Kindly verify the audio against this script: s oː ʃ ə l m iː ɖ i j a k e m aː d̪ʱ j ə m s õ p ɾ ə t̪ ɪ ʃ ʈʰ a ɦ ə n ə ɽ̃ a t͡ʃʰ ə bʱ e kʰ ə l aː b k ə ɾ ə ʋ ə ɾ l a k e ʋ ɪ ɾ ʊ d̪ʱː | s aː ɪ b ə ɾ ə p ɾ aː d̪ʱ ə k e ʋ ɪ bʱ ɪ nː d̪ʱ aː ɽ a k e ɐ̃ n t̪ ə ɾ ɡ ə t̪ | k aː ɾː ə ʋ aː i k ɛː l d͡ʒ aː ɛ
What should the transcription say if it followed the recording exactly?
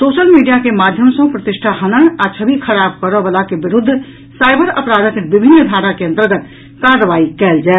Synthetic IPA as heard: s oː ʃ ə l m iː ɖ i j a k e m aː d̪ʱ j ə m s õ p ɾ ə t̪ ɪ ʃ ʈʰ a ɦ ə n ə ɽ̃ a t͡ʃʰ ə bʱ i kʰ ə ɾ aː b k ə ɾ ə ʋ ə l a k e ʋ ɪ ɾ ʊ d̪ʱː | s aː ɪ b ə ɾ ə p ɾ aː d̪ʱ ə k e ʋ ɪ bʱ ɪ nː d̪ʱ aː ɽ a k e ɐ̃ n t̪ ə ɾ ɡ ə t̪ | k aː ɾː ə ʋ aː i k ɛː l d͡ʒ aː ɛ